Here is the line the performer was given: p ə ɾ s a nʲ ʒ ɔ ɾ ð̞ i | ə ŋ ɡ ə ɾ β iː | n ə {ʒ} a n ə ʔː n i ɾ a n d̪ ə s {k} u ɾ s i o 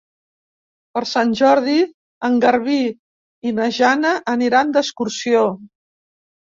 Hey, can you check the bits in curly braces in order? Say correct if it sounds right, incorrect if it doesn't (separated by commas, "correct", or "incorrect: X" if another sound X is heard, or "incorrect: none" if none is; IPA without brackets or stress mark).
correct, correct